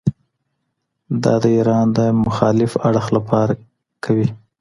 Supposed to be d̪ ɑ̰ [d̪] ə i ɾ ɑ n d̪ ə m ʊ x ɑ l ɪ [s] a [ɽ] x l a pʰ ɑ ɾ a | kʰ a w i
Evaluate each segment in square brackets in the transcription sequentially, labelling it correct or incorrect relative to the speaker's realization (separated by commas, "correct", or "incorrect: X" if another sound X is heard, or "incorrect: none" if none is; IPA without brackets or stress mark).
correct, incorrect: f, correct